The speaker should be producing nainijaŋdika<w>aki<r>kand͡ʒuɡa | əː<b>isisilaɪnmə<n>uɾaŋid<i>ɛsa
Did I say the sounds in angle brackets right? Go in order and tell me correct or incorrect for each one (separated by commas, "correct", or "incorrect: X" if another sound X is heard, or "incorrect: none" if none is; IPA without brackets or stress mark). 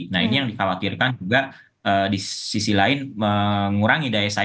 correct, correct, incorrect: d, incorrect: ŋ, incorrect: a